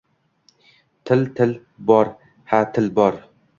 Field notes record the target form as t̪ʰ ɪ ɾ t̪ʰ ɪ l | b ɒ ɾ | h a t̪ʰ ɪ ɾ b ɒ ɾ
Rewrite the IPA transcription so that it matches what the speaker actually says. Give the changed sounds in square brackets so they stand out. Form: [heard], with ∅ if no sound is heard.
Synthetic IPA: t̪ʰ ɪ [l] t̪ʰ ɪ l | b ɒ ɾ | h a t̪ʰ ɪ [l] b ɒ ɾ

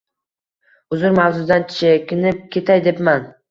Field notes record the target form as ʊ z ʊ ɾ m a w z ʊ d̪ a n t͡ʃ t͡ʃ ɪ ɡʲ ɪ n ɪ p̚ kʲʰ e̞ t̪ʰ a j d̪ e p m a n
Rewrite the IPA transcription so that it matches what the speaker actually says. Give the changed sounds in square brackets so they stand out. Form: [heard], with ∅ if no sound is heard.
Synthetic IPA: ʊ z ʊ ɾ m a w z ʊ d̪ a n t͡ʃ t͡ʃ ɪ [kʲ] ɪ n ɪ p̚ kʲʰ e̞ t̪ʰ a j d̪ e p m a n

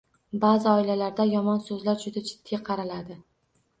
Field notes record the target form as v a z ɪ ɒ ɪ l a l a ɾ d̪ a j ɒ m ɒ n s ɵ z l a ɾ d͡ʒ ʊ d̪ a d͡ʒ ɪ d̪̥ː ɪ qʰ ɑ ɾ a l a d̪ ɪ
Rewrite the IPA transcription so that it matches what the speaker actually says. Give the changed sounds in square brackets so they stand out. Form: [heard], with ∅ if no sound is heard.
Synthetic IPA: [b] a z ɪ ɒ ɪ l a l a ɾ d̪ a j ɒ m ɒ n s ɵ z l a ɾ d͡ʒ ʊ d̪ a d͡ʒ ɪ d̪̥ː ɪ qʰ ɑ ɾ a l a d̪ ɪ

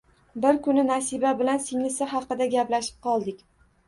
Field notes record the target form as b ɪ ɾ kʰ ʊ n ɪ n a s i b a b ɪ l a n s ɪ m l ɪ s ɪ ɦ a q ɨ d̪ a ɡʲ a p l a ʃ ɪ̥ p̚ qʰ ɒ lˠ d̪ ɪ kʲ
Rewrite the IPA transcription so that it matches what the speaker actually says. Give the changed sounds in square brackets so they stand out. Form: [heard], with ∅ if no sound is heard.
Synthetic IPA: b ɪ ɾ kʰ ʊ n ɪ n a s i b a b ɪ l a n s ɪ [ŋ] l ɪ s ɪ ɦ [ɑ] q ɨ d̪ a ɡʲ a p l a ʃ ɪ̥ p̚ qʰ ɒ lˠ d̪ ɪ kʲ

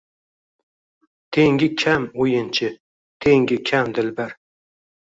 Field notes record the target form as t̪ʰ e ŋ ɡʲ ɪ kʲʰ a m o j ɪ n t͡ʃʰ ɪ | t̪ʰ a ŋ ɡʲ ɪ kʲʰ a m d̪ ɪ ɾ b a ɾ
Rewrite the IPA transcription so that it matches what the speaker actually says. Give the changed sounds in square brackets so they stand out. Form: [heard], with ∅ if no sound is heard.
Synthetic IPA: t̪ʰ e ŋ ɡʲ ɪ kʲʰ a m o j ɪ n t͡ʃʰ ɪ | t̪ʰ [e] ŋ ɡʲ ɪ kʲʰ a m d̪ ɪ [l] b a ɾ

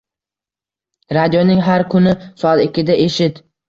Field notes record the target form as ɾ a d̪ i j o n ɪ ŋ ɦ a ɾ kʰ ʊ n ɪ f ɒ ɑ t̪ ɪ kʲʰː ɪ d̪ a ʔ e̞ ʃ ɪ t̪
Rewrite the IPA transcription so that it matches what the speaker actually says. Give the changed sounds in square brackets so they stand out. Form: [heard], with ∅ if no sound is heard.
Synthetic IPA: ɾ a d̪ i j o n ɪ ŋ ɦ a ɾ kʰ ʊ n ɪ [s] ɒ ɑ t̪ ɪ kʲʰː ɪ d̪ a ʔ e̞ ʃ ɪ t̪

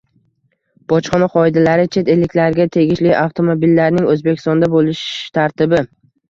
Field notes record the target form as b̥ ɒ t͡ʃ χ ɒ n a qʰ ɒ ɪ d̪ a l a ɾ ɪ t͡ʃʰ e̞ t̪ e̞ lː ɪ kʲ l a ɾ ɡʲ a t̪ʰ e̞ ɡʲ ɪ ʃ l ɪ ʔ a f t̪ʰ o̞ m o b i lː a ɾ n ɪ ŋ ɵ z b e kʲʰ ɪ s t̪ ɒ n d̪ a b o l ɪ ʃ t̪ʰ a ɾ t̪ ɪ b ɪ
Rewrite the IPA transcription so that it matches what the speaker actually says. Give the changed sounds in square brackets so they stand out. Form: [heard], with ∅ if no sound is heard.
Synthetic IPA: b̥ ɒ t͡ʃ χ ɒ n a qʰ ɒ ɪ d̪ a l a ɾ ɪ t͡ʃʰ e̞ t̪ e̞ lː ɪ kʲ l a ɾ ɡʲ a t̪ʰ e̞ ɡʲ ɪ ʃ l ɪ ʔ a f t̪ʰ o̞ m o b i lː a ɾ n ɪ ŋ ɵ z b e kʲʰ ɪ s t̪ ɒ n d̪ a b o l ɪ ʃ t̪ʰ a ɾ t̪ ɪ b ɪ

